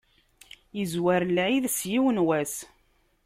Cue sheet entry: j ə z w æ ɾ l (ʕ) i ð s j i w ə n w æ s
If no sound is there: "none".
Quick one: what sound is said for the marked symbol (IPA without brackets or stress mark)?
ʕ